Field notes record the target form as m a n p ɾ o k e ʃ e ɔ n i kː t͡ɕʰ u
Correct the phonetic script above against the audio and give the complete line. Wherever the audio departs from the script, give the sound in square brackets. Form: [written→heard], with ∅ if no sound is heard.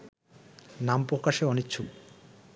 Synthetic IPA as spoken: [m→n] a [n→m] p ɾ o k [e→a] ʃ e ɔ n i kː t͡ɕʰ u